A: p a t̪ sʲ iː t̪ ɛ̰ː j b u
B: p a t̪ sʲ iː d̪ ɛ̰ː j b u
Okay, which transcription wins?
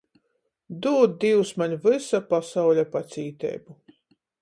A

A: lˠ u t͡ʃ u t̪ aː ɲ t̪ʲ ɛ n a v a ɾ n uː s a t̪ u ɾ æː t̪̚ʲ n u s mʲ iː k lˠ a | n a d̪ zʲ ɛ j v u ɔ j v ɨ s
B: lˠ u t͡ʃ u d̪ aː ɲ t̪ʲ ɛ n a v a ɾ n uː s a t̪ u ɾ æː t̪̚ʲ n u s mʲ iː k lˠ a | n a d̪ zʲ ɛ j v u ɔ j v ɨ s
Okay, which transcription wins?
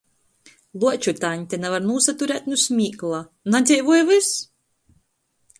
A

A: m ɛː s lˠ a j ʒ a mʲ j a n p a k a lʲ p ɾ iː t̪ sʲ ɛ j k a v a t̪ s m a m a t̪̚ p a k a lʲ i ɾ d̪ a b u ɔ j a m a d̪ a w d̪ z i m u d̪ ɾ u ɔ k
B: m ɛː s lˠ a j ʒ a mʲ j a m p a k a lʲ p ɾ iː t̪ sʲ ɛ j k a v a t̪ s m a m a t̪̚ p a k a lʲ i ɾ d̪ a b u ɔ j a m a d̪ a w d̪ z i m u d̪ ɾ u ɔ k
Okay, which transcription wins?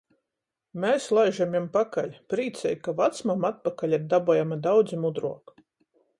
B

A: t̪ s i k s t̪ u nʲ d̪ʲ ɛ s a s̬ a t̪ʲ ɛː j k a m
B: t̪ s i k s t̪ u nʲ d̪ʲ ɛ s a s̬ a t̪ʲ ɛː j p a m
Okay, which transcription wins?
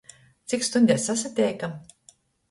A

